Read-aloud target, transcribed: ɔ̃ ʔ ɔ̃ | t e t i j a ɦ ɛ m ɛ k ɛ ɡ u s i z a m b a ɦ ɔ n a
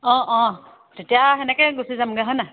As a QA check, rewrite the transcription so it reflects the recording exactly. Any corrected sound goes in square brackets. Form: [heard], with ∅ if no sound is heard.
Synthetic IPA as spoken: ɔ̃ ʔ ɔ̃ | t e t i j a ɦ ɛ [n] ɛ k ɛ ɡ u s i z a m [ɡ] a ɦ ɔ n a